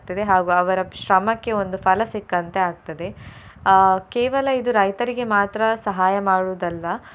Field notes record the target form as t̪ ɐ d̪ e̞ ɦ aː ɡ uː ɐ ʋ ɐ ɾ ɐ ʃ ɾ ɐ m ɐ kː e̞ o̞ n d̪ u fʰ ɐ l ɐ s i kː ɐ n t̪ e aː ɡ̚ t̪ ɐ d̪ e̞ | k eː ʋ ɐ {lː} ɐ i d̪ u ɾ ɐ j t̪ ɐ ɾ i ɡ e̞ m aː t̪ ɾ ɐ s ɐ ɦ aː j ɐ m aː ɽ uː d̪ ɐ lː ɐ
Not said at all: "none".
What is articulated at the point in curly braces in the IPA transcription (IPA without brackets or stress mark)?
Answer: l